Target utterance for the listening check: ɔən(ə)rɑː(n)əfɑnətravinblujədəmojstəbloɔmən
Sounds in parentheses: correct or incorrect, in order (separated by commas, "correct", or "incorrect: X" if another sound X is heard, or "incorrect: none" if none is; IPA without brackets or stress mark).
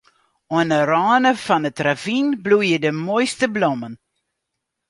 correct, correct